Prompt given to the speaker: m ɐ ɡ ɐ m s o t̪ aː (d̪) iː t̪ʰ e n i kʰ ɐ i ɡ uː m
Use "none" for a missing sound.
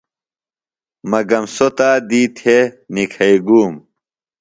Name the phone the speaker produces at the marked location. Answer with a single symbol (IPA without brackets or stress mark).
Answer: d̪